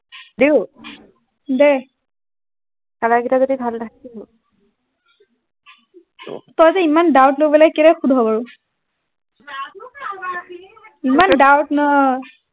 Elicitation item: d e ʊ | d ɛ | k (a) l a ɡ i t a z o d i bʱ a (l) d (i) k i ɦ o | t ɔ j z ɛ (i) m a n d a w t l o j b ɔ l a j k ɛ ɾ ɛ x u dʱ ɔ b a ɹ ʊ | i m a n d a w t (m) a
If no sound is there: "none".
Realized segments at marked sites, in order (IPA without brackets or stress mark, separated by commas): a, l, a, i, n